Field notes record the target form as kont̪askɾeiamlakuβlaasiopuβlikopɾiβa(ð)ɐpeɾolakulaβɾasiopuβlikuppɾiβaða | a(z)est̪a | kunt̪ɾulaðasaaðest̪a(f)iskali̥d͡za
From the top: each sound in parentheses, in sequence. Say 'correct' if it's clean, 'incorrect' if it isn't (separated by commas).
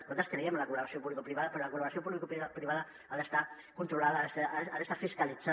correct, incorrect, correct